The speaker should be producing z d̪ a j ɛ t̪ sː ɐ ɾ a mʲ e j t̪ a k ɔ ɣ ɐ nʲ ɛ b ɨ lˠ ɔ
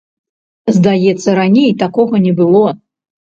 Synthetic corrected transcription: z d̪ a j ɛ t̪ sː ɐ ɾ a nʲ e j t̪ a k ɔ ɣ ɐ nʲ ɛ b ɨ lˠ ɔ